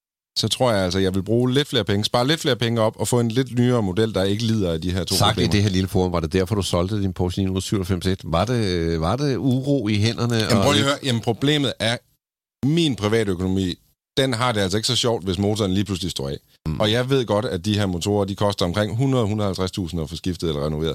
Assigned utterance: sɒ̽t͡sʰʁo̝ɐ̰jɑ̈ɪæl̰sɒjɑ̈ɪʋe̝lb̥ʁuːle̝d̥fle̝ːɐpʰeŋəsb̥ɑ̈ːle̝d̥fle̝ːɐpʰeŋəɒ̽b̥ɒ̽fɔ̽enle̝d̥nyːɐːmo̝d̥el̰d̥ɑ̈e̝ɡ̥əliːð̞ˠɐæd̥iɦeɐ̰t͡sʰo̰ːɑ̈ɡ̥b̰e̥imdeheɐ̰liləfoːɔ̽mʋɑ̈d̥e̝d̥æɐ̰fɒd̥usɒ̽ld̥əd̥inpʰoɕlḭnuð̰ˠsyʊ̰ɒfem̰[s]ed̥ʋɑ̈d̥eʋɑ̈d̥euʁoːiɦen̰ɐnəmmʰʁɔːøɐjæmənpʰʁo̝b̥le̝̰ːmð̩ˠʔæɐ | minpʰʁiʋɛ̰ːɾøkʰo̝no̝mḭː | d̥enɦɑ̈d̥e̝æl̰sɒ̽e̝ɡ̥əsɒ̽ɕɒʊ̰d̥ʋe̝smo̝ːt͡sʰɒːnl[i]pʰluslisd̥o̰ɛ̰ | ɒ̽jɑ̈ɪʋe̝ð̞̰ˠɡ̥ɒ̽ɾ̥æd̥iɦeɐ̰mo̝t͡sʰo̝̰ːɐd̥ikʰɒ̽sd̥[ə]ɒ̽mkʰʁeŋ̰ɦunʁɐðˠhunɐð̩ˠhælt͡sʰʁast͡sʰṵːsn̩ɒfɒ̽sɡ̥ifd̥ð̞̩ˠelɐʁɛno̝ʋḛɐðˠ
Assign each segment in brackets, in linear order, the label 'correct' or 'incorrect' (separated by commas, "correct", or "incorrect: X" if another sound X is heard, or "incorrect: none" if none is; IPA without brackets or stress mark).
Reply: correct, incorrect: iː, incorrect: ɐ